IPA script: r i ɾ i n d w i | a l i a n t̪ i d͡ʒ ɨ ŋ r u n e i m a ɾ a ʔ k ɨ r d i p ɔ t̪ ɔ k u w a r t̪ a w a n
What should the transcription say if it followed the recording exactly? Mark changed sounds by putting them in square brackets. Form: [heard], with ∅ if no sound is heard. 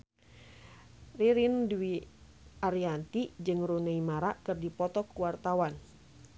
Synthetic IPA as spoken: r i ɾ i n d w i | a [ɾ] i a n t̪ i d͡ʒ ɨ ŋ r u n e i m a ɾ a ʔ k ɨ r d i p ɔ t̪ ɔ k u w a r t̪ a w a n